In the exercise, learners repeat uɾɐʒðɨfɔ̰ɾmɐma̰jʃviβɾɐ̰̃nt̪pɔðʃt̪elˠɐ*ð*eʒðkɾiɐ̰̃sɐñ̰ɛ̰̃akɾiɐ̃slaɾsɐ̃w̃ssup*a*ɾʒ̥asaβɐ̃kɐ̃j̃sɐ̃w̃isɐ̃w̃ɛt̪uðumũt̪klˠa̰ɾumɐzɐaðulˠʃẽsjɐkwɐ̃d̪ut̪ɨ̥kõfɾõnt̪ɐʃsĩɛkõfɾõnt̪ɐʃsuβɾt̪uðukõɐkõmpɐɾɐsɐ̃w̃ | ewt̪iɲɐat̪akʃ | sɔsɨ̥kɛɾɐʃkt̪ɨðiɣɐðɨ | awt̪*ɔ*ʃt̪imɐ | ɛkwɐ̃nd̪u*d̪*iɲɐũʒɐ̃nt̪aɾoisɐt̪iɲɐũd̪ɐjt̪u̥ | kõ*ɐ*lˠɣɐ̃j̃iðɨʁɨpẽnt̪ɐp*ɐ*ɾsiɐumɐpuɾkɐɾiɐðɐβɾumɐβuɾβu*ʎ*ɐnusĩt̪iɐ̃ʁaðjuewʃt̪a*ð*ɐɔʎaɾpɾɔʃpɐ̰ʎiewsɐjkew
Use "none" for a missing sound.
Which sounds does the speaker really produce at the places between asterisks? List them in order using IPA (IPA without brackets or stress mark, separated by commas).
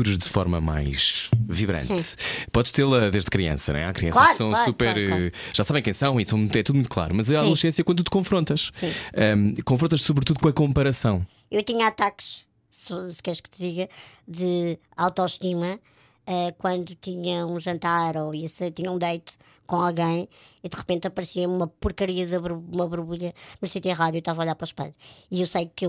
ð, ɛ, ɔ, t̪, a, ɐ, ʎ, v